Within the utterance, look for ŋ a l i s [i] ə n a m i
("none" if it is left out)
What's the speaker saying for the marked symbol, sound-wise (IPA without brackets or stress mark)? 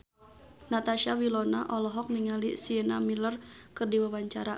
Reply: i